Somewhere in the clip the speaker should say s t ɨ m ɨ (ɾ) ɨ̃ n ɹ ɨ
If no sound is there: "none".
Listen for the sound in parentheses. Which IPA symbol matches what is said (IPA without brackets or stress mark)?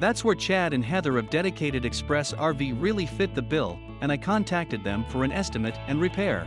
ɾ